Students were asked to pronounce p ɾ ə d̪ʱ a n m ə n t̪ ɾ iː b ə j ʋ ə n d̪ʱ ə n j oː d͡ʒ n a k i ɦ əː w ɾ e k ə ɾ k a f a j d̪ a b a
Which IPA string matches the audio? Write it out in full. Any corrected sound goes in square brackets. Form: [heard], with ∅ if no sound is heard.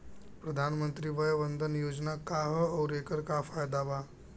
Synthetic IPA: p ɾ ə d̪ʱ a n m ə n t̪ ɾ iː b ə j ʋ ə n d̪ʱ ə n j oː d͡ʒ n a k [a] ɦ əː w ɾ e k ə ɾ k a f a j d̪ a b a